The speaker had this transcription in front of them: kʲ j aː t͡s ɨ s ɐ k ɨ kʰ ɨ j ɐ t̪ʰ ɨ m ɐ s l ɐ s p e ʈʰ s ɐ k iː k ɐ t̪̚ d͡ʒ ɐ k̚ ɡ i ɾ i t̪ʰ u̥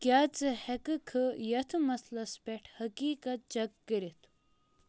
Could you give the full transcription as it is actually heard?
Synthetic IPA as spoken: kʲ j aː t͡s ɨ h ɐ k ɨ kʰ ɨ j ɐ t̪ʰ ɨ m ɐ s l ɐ s p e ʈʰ h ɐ k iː k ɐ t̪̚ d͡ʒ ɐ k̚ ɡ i ɾ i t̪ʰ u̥